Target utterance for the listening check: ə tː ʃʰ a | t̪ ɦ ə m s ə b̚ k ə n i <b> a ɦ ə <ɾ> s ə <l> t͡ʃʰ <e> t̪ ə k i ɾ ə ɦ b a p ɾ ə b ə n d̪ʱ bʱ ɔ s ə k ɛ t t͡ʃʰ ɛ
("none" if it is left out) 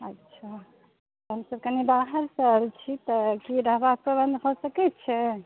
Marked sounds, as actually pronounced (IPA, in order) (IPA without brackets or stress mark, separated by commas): b, ɾ, ɾ, i